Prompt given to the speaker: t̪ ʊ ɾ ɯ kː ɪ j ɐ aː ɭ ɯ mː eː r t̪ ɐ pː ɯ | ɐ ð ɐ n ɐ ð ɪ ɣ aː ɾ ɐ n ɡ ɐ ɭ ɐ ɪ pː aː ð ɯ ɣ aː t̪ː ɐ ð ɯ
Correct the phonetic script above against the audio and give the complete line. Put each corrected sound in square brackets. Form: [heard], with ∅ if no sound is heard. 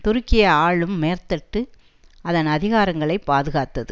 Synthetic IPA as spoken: t̪ ʊ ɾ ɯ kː ɪ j ɐ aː ɭ ɯ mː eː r t̪ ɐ [ʈː] ɯ | ɐ ð ɐ n ɐ ð ɪ ɣ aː ɾ ɐ [ŋ] ɡ ɐ ɭ ɐ ɪ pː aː ð ɯ ɣ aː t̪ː ɐ ð ɯ